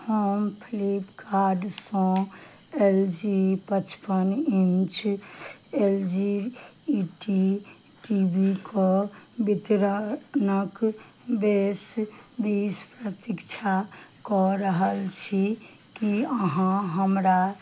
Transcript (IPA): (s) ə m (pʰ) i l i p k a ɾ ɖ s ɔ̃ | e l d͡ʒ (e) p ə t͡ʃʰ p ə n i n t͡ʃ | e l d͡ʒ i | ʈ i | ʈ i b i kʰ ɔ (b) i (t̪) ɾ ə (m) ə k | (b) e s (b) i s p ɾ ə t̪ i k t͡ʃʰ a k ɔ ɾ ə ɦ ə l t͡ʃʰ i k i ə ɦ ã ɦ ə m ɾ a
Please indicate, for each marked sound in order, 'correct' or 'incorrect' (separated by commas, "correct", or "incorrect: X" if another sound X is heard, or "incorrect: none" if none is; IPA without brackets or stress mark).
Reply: incorrect: h, correct, incorrect: i, correct, correct, incorrect: n, correct, correct